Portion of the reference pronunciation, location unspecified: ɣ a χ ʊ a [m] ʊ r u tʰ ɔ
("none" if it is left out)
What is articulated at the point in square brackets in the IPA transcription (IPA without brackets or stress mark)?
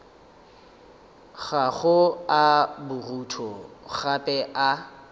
b